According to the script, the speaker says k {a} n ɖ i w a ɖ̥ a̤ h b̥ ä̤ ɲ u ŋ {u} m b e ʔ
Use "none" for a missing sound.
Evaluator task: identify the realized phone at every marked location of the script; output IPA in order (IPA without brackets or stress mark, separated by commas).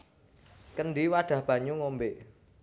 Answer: ə, o